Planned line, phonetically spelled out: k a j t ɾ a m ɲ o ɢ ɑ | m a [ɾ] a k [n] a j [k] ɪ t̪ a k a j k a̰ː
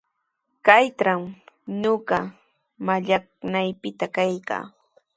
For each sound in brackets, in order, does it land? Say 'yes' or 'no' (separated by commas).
no, yes, no